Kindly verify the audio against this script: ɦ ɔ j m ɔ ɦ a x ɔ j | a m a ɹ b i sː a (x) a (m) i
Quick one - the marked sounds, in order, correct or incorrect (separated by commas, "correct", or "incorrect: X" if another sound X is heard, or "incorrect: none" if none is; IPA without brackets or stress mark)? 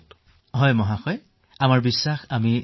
correct, correct